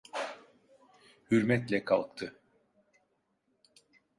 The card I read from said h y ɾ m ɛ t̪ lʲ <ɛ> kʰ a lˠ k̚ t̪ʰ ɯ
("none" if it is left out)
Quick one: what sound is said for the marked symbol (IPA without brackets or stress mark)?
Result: ɛ